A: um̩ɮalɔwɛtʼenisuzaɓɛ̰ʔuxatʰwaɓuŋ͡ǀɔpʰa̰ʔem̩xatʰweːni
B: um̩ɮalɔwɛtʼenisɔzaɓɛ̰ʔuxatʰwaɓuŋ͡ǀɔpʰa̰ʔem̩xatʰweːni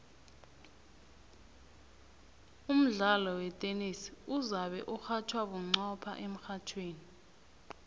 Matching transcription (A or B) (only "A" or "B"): A